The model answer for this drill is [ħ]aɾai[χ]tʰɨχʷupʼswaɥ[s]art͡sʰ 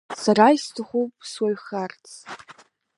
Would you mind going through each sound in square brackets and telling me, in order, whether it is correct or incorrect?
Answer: incorrect: s, incorrect: s, incorrect: χ

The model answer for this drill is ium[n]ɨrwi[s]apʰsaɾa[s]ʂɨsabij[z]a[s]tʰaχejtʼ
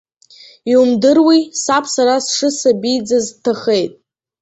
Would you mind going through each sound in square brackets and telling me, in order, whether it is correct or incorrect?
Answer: incorrect: d, correct, correct, incorrect: d͡z, incorrect: z

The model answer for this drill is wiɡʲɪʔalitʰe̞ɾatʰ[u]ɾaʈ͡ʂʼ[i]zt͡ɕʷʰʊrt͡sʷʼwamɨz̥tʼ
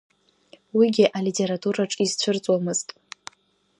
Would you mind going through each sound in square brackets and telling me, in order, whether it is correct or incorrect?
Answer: correct, correct

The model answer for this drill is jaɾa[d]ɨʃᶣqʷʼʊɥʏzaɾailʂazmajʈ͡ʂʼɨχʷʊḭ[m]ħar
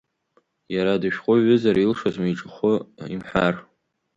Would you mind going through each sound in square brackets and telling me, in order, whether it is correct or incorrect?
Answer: correct, correct

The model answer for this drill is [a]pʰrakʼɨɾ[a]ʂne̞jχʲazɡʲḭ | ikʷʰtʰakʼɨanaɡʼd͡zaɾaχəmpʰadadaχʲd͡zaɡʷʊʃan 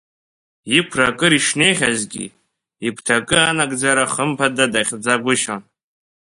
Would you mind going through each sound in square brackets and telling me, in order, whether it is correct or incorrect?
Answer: incorrect: i, incorrect: i

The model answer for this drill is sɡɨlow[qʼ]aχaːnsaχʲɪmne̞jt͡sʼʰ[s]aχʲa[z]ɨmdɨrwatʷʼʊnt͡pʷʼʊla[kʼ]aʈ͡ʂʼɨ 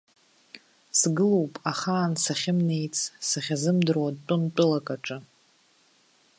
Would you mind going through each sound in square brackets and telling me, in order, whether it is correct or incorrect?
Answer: incorrect: pʼ, correct, correct, correct

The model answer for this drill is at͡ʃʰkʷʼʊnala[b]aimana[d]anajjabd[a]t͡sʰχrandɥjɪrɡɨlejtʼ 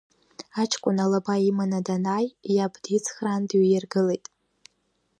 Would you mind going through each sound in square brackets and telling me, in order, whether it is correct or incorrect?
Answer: correct, correct, incorrect: i

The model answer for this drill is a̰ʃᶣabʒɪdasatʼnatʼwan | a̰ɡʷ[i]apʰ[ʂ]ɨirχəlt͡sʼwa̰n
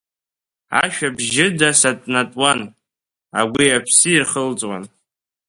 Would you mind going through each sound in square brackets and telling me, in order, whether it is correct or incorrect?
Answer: correct, incorrect: s

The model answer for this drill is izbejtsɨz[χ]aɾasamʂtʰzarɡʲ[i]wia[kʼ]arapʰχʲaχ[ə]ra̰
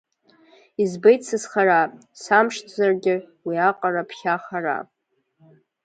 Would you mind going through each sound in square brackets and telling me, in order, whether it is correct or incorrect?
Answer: correct, incorrect: ɪ, incorrect: qʼ, incorrect: a

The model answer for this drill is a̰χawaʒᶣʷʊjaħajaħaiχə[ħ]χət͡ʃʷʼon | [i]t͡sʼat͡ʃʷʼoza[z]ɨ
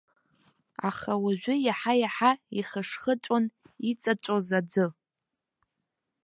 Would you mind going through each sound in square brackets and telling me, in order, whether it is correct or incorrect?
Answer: incorrect: ʂ, correct, incorrect: d͡z

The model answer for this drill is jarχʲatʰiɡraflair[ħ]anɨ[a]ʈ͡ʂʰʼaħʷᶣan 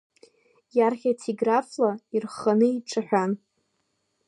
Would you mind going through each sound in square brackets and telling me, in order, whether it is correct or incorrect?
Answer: incorrect: χ, incorrect: i

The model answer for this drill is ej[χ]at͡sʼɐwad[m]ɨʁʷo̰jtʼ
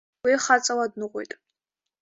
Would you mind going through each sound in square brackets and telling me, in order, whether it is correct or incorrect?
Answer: correct, incorrect: n

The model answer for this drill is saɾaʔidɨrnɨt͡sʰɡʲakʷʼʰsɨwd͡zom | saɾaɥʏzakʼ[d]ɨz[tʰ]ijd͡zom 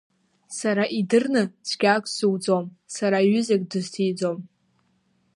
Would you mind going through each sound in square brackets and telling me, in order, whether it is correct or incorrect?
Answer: correct, correct

